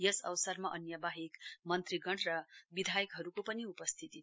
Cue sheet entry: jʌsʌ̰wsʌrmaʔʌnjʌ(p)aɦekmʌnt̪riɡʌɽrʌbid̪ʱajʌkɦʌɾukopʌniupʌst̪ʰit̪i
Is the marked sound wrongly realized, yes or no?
yes